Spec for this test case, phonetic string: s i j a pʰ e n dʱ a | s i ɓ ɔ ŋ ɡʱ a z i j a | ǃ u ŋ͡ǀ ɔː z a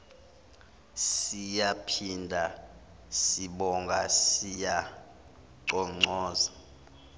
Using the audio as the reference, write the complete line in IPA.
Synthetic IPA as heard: s i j a pʰ i n dʱ a | s i ɓ ɔ ŋ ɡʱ a s i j a | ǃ ɔ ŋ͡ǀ ɔː z a